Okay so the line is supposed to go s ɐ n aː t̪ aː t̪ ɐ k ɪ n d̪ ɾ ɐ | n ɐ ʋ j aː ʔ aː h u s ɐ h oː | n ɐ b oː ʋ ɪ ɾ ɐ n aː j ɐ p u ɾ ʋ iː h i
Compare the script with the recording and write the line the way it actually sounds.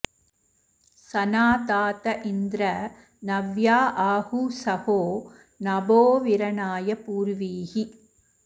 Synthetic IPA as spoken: s ɐ n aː t̪ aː t̪ ɐ ʔ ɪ n d̪ ɾ ɐ | n ɐ ʋ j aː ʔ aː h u s ɐ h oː | n ɐ b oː ʋ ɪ ɾ ɐ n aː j ɐ p uː ɾ ʋ iː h i